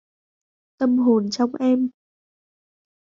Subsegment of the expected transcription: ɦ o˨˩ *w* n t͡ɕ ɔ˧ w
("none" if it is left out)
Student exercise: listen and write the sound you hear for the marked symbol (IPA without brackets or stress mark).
none